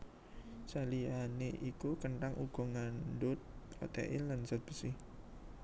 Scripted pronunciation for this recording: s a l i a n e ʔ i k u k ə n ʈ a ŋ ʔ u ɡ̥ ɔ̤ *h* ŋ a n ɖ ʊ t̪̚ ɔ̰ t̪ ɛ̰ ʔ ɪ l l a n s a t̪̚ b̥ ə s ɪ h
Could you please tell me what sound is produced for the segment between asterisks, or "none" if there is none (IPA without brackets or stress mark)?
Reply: none